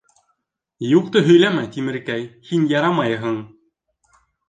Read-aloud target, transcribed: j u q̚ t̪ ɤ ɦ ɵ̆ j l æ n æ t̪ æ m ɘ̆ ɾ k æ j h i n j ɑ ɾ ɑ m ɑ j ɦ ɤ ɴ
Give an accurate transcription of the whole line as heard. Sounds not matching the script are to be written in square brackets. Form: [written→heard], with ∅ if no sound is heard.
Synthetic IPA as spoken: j u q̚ t̪ ɤ ɦ ɵ̆ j l æ [n→m] æ t̪ [æ→i] m ɘ̆ ɾ k æ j h i n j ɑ ɾ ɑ m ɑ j ɦ ɤ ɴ